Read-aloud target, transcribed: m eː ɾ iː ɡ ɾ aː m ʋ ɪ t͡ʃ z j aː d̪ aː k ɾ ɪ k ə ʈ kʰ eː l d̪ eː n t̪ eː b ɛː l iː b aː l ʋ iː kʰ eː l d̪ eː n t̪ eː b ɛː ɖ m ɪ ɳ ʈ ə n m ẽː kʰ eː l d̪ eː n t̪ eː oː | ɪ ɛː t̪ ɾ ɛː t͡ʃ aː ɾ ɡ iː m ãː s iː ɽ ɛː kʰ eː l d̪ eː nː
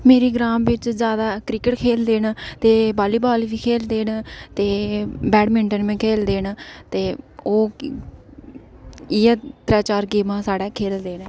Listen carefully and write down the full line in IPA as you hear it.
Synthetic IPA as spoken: m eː ɾ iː ɡ ɾ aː m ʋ ɪ t͡ʃ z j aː d̪ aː k ɾ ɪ k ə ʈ kʰ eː l d̪ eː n t̪ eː b aː l iː b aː l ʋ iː kʰ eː l d̪ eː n t̪ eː b ɛː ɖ m ɪ ɳ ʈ ə n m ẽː kʰ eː l d̪ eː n t̪ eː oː | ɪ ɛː t̪ ɾ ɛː t͡ʃ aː ɾ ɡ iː m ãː s aː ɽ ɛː kʰ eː l d̪ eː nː